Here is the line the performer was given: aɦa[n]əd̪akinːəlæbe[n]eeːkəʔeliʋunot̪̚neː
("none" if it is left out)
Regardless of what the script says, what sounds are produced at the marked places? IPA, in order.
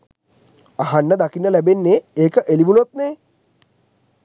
nː, nː

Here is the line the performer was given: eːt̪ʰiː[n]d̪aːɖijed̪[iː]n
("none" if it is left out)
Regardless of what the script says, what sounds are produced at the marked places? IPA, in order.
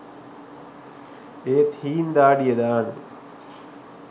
n, aː

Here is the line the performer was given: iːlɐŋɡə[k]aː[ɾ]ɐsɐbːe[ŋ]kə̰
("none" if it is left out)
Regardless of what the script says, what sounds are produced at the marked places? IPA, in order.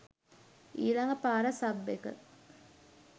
p, ɾ, none

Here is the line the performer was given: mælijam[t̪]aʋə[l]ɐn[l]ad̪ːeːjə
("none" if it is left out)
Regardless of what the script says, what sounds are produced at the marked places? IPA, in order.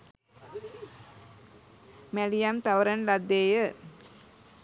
t̪, ɾ, l

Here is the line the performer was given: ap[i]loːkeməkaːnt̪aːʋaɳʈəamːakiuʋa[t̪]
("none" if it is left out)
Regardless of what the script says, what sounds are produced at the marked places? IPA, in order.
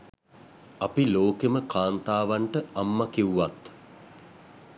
i, t̪

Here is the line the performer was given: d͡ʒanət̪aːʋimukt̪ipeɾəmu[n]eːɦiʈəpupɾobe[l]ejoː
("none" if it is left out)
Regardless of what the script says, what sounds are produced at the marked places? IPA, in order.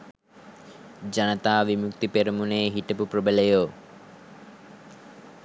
n, l

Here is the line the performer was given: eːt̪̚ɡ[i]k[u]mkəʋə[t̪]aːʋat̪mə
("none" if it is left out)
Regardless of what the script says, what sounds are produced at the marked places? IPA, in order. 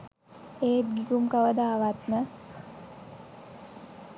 i, u, d̪

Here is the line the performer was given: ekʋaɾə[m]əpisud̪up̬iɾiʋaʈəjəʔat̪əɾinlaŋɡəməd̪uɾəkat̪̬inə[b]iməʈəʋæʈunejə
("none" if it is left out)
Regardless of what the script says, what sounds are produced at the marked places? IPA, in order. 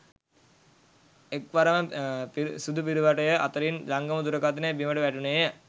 m, b

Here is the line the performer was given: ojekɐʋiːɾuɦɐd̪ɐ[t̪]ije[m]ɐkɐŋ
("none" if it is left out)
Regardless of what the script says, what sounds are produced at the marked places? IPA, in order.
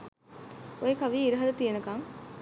t̪, n

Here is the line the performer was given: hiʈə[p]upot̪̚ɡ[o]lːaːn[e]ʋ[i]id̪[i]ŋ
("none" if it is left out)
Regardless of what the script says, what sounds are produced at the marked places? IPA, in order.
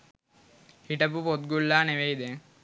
p, u, e, e, e

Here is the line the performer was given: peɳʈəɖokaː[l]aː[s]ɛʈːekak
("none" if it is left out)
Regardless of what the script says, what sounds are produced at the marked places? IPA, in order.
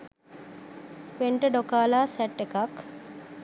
l, s

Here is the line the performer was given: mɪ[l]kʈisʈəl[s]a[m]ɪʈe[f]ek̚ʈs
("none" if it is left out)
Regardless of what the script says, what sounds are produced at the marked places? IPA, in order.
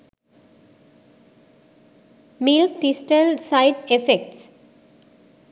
l, s, none, f

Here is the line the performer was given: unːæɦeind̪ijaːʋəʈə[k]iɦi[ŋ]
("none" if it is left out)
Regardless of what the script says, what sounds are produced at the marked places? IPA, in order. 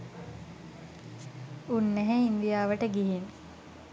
ɡ, n

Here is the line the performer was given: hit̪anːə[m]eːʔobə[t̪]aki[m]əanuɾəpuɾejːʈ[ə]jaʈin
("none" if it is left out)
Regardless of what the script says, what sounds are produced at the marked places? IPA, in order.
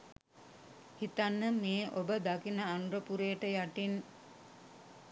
m, d̪, n, ə

